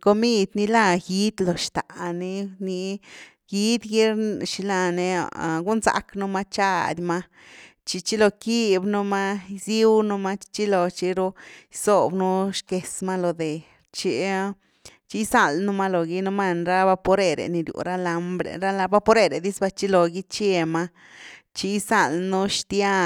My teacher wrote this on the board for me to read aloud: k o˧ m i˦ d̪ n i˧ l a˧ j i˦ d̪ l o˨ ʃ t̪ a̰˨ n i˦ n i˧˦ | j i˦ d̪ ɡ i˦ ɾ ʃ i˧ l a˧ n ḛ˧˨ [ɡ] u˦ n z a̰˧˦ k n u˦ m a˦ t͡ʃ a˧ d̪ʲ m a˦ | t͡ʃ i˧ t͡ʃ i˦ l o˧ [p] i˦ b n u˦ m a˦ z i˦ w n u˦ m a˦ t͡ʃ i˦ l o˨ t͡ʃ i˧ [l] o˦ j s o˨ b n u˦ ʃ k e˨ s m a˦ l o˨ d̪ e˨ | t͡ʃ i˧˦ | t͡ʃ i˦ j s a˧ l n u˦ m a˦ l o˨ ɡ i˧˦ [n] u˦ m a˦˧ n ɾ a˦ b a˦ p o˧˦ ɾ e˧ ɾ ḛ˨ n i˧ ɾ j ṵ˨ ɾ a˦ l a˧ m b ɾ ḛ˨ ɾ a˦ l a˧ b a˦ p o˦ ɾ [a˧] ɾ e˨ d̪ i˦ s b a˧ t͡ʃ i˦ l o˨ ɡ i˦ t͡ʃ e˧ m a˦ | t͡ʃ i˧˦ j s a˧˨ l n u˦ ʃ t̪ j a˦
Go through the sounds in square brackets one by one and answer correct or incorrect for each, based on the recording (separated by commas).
correct, incorrect, incorrect, correct, incorrect